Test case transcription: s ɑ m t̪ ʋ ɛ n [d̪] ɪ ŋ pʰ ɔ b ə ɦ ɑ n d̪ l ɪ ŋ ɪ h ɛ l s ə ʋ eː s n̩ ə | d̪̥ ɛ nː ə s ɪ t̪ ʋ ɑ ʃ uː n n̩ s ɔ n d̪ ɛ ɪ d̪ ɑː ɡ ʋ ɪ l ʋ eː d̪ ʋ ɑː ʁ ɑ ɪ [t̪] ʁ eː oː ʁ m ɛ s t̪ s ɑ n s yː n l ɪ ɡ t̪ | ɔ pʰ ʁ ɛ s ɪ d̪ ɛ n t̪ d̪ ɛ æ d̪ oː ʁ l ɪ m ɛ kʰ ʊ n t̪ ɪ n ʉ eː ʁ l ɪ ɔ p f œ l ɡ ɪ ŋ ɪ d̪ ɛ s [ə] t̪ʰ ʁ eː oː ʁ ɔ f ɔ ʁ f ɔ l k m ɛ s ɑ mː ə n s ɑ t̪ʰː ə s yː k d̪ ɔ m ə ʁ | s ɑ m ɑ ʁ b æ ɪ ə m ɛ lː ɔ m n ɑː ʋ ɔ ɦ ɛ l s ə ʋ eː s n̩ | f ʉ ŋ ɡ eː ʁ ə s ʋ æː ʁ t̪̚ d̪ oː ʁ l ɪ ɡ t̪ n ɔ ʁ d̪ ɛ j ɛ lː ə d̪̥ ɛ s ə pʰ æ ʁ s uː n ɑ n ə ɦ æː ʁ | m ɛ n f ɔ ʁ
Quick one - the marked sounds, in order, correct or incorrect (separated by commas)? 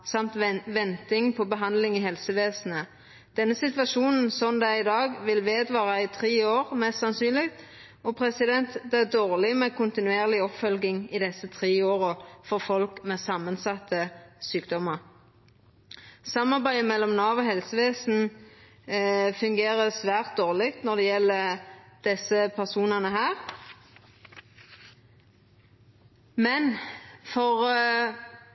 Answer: incorrect, incorrect, correct